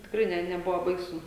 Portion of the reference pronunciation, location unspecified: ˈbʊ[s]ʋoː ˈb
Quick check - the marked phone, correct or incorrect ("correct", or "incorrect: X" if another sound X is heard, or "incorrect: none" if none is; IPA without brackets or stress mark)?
incorrect: none